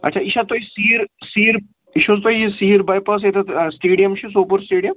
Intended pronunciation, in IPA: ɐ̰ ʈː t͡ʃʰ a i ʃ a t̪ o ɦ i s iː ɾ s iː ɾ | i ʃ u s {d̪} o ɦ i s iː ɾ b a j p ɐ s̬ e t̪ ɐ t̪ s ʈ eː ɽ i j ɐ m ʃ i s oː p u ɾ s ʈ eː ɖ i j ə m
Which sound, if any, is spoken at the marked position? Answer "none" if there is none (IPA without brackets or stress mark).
t̪